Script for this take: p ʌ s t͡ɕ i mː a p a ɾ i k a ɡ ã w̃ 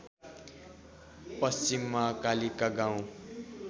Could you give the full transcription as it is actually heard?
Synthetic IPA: p ʌ s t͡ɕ i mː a k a l i k a ɡ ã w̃